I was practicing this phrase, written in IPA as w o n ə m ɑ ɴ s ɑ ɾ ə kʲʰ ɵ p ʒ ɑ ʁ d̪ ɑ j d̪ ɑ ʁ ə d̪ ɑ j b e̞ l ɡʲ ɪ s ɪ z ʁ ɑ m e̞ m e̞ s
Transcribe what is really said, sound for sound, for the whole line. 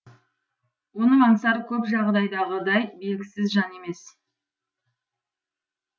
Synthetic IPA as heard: w o n ə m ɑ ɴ s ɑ ɾ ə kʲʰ ɵ p ʒ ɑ ʁ d̪ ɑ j d̪ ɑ ʁ ə d̪ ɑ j b e̞ l ɡʲ ɪ s ɪ z ʒ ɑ n e̞ m e̞ s